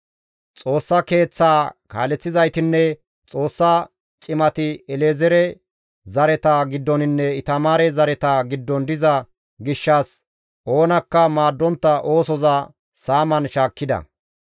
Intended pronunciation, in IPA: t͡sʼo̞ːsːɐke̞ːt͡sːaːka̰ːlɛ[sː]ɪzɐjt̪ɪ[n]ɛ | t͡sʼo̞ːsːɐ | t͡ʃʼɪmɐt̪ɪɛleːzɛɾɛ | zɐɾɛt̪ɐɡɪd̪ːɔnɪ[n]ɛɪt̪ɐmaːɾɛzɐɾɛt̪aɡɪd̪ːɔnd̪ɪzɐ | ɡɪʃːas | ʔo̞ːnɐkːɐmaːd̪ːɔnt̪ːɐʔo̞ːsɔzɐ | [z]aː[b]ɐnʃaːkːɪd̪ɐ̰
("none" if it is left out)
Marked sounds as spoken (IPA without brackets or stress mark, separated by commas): t͡sː, nː, nː, s, m